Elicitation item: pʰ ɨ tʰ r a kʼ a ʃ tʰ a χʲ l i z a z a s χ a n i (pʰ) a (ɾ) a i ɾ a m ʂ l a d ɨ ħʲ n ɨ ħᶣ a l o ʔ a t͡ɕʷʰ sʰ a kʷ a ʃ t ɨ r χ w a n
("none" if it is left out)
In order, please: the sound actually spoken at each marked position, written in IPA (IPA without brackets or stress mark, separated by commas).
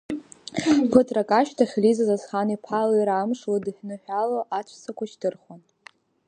pʰ, l